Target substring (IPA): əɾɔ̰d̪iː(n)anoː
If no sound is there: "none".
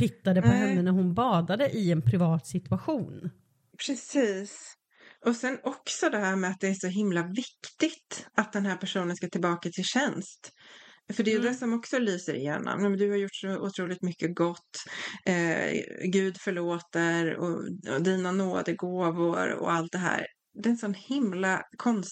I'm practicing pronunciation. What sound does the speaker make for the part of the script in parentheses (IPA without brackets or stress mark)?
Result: n